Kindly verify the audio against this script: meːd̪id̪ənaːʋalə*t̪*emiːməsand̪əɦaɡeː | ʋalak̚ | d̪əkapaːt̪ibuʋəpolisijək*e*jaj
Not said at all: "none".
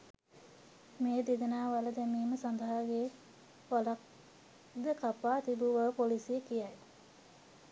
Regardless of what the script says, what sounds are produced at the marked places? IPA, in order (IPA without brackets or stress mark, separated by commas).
d̪, i